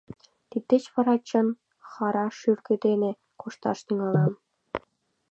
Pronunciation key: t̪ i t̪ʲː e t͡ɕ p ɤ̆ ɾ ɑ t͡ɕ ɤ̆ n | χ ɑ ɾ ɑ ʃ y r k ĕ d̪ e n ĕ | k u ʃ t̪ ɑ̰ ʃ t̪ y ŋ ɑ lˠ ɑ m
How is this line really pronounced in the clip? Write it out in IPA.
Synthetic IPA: t̪ i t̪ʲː e t͡ɕ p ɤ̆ ɾ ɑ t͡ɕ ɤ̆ n | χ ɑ ɾ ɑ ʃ y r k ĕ d̪ e n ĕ | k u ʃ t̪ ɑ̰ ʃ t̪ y ŋ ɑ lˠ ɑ m

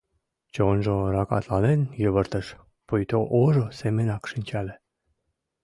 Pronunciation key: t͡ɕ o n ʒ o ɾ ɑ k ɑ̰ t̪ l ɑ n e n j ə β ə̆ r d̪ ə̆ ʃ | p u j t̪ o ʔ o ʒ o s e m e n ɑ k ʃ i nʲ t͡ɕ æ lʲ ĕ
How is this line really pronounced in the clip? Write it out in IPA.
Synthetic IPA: t͡ɕ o n ʒ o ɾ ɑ k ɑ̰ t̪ l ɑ n e n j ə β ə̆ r t̪ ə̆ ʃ | p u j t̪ o ʔ o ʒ o s e m e n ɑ k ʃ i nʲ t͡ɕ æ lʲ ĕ

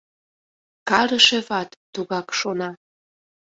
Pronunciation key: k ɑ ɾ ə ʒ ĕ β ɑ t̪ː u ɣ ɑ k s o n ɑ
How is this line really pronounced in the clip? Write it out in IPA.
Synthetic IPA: k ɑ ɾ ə ʃ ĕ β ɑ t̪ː u ɣ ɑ k ʃ o n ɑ

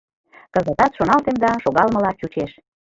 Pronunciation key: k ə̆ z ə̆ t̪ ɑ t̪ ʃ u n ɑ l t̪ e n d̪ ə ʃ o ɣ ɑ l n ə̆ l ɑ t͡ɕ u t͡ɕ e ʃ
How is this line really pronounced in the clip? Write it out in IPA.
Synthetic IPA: k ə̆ z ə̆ t̪ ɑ t̪ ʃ o n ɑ l t̪ e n d̪ ɑ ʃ o ɣ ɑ l m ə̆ l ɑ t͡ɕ u t͡ɕ e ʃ

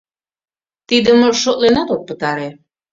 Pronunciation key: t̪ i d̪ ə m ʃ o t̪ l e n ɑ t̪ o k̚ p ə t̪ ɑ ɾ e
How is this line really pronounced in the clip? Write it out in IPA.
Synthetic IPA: t̪ i d̪ ə m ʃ o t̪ l e n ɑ t̪ o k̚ p ə t̪ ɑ ɾ e

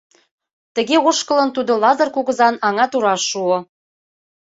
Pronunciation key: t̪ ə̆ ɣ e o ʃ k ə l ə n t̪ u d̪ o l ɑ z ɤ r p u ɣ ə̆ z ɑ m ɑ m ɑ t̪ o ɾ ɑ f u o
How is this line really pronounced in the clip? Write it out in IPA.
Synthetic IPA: t̪ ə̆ ɣ e o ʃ k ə l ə n t̪ u d̪ o l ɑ z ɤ r k u ɣ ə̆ z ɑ n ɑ ŋ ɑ t̪ u ɾ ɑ ʃ u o

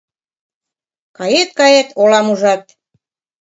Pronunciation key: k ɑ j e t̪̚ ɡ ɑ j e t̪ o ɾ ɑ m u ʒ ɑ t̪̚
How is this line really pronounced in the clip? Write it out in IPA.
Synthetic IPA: k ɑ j e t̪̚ k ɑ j e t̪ o l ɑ m u ʒ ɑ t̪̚

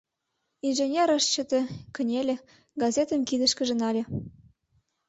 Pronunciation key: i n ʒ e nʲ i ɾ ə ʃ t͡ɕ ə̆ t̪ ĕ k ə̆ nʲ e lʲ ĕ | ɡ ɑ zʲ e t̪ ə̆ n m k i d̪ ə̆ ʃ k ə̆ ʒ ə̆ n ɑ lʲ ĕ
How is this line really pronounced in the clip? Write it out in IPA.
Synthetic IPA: i n ʒ e nʲ e ɾ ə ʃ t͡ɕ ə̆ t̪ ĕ k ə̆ nʲ e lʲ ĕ | ɡ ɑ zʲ e t̪ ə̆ m k i d̪ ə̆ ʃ k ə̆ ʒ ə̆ n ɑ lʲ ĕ

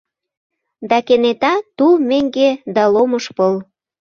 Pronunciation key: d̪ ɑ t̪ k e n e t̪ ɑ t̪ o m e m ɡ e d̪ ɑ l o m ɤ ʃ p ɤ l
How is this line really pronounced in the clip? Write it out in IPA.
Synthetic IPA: d̪ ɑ k e n e t̪ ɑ t̪ u m e ŋ ɡ e d̪ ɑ l o m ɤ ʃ p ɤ l

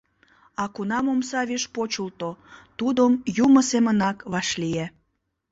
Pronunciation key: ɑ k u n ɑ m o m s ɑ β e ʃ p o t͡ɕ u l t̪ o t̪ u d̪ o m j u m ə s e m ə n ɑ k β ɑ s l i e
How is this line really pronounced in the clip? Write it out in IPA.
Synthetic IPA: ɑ k u n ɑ m o m s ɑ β e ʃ p o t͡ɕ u l t̪ o t̪ u d̪ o m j u m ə s e m ə n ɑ k β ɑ ʃ l i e

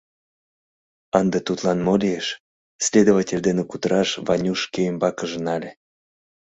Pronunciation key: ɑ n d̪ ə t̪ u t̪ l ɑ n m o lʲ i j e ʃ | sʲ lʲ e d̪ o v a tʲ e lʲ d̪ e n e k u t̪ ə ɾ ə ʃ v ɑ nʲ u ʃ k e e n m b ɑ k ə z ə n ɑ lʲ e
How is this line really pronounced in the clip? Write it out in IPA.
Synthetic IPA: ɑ n d̪ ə t̪ u t̪ l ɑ n m o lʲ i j e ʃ | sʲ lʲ e d̪ o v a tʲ e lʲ d̪ e n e k u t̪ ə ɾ ɑ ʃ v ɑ nʲ u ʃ k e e m b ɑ k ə ʒ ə n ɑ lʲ e

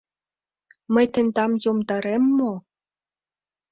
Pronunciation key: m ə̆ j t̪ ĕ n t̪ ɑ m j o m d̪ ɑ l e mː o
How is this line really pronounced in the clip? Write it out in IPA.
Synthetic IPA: m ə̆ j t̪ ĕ n d̪ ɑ m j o m d̪ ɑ ɾ e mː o

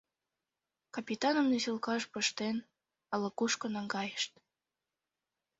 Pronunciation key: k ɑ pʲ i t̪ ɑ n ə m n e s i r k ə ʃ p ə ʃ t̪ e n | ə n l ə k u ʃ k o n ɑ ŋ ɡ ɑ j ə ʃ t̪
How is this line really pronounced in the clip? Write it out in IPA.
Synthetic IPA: k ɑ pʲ i t̪ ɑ n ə m n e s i l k ɑ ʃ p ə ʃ t̪ e n | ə l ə k u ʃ k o n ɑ ŋ ɡ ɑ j ə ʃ t̪

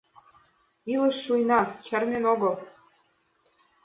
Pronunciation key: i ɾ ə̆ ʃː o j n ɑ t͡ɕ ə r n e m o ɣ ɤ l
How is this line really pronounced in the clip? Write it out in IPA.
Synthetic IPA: i l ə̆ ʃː u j n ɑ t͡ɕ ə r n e n o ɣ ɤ l

